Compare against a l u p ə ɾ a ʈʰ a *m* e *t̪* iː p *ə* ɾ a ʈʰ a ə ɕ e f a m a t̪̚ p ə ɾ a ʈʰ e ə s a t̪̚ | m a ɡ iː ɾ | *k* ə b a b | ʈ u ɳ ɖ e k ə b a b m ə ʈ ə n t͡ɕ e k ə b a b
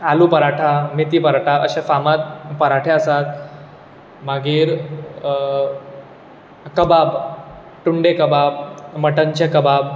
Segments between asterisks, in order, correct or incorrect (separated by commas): correct, correct, correct, correct